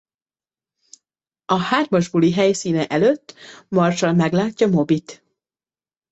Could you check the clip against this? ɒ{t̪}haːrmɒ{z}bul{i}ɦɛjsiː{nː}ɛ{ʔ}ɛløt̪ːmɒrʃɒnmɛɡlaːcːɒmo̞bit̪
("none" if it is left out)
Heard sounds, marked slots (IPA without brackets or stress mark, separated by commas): none, ʒ, i, n, ʔ